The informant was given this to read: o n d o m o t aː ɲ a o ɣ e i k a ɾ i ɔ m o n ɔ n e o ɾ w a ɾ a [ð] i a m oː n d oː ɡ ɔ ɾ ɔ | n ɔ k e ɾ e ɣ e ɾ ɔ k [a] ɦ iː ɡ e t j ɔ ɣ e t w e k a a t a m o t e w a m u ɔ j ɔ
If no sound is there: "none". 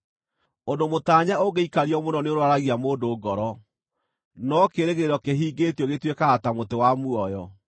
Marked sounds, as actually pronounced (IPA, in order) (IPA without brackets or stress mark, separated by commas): ɣ, e